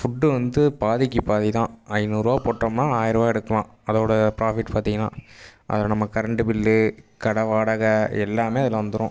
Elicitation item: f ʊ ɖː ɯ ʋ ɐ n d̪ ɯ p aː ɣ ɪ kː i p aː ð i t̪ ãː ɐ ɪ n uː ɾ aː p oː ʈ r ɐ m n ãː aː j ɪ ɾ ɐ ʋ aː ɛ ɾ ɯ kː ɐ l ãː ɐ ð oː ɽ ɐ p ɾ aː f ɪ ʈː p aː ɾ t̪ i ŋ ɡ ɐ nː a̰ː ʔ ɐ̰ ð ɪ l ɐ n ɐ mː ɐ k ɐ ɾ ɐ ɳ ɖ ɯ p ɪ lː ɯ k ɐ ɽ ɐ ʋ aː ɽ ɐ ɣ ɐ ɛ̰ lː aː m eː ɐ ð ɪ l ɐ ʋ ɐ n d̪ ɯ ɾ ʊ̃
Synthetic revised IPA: f ʊ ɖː ɯ ʋ ɐ n d̪ ɯ p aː ð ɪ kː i p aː ð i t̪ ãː ɐ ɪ n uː ɾ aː p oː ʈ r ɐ m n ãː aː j ɪ ɾ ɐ ʋ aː ɛ ɽ ɯ kː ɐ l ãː ɐ ð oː ɽ ɐ p ɾ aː f ɪ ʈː p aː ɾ t̪ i ŋ ɡ ɐ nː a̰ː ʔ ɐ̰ ð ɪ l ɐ n ɐ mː ɐ k ɐ ɾ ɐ ɳ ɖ ɯ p ɪ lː ɯ k ɐ ɽ ɐ ʋ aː ɽ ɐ ɣ ɐ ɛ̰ lː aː m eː ɐ ð ɪ l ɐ ʋ ɐ n d̪ ɯ ɾ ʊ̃